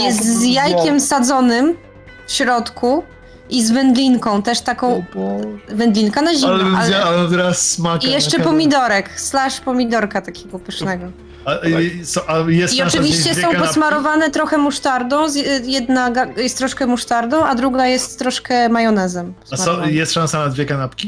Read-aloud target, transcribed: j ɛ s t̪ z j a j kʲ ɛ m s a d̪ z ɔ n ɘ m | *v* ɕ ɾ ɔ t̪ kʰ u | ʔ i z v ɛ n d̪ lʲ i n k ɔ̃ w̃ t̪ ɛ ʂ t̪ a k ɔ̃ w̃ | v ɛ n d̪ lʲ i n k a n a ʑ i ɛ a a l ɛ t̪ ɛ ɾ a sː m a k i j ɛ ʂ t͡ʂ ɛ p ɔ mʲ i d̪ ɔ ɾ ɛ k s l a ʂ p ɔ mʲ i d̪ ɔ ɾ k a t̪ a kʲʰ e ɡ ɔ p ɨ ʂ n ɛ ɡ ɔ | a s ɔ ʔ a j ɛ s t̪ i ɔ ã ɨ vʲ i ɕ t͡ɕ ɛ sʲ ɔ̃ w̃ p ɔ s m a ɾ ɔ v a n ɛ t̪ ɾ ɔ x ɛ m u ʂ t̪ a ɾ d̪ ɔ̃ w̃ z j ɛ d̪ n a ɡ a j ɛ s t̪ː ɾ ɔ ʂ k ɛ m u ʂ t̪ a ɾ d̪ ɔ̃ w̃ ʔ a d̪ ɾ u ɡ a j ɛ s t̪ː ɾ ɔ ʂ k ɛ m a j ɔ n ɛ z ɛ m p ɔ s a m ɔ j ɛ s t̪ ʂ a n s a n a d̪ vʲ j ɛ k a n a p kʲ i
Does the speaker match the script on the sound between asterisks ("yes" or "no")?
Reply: no